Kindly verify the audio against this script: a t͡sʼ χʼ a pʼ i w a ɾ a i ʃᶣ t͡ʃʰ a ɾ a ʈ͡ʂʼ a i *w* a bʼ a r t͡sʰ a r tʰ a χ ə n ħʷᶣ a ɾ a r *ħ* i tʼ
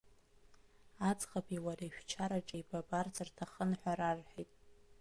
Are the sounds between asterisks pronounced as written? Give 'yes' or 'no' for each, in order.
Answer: no, yes

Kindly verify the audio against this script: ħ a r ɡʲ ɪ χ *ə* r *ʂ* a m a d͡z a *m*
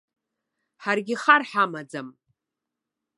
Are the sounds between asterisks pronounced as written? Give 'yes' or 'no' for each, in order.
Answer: no, no, yes

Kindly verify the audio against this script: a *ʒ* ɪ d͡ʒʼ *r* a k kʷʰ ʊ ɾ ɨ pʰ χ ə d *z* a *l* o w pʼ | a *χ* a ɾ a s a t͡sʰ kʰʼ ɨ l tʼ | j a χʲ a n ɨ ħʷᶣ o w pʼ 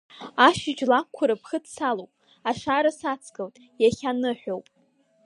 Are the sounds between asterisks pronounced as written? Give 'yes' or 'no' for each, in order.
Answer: no, no, no, yes, no

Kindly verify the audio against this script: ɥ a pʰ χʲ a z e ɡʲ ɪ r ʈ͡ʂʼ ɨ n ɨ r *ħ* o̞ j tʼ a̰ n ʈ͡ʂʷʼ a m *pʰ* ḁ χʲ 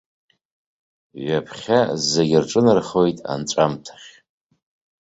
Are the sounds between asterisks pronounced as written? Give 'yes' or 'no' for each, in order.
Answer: no, no

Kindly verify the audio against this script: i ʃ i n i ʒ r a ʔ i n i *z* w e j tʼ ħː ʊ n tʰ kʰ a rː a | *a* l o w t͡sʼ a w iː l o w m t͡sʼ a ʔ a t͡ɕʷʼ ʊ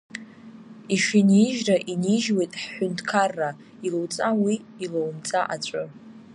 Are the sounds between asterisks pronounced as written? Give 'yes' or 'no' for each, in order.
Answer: no, no

